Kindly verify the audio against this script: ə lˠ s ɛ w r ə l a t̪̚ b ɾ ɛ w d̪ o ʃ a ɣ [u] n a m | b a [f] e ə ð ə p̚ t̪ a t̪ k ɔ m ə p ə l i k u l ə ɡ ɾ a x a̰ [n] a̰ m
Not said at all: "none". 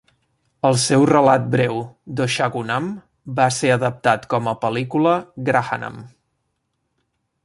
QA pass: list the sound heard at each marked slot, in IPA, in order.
u, s, n

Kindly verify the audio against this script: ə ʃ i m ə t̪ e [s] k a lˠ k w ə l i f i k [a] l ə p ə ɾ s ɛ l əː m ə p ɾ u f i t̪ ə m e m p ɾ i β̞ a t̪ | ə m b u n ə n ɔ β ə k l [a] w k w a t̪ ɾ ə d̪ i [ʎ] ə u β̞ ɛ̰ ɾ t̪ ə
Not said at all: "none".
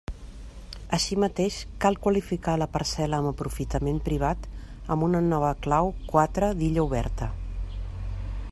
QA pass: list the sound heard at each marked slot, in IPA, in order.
ʃ, a, a, ʎ

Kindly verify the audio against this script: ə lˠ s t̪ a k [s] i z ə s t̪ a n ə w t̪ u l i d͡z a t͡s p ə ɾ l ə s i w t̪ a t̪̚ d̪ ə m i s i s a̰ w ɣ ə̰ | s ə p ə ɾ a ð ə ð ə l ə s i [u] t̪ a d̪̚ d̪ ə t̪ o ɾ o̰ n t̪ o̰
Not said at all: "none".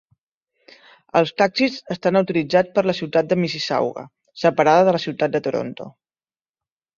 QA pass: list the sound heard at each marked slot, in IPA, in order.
s, w

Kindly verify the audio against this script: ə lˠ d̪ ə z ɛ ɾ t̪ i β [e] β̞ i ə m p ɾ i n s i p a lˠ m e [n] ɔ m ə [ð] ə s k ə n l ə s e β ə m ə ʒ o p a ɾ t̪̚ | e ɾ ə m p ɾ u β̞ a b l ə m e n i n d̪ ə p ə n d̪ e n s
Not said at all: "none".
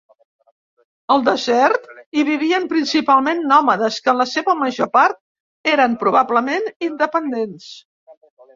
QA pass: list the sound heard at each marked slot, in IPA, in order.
i, nː, ð

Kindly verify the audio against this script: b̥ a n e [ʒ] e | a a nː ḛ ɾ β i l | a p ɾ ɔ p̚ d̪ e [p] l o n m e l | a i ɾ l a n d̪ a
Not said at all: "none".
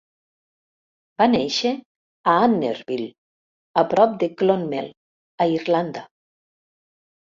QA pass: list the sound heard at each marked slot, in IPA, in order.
ʃ, k

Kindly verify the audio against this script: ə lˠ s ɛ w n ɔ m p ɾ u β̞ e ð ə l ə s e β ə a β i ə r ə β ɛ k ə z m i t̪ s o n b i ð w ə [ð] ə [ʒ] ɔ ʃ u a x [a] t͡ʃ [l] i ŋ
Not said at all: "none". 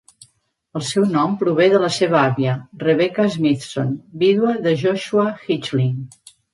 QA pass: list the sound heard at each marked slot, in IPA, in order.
ð, ʒ, i, l

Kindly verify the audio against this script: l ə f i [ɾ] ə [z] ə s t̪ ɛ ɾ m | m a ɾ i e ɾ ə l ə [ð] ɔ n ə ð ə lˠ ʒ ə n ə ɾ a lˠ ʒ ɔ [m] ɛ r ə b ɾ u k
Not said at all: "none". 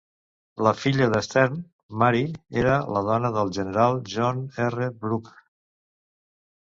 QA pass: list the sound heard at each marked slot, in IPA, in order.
ʎ, ð, ð, n

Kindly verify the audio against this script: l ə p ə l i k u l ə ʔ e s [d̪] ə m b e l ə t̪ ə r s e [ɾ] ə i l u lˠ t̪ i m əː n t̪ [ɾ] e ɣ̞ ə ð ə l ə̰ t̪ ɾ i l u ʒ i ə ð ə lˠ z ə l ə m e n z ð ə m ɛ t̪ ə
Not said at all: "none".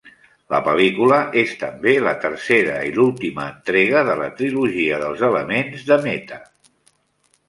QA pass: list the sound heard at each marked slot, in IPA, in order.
t̪, ɾ, ɾ

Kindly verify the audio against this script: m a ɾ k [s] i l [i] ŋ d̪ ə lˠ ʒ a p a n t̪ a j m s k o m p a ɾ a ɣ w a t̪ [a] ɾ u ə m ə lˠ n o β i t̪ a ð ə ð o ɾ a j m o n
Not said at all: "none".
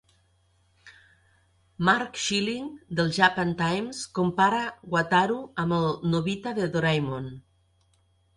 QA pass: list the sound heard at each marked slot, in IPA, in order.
ʃ, i, a

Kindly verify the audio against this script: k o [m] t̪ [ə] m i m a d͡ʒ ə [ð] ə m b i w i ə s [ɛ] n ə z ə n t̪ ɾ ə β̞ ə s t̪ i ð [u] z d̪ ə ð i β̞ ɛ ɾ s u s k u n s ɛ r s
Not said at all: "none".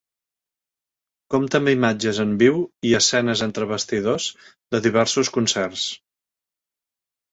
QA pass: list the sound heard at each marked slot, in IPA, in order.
m, ə, z, ɛ, o

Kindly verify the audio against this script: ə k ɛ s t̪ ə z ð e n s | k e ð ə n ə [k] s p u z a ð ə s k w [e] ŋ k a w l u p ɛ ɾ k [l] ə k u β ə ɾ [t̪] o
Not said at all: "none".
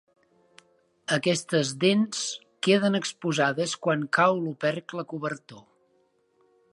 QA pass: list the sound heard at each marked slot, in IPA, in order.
k, a, l, t̪

